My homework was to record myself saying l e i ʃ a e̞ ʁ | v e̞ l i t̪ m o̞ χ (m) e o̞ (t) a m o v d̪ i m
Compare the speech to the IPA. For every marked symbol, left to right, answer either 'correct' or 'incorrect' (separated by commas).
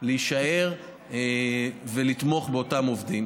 incorrect, correct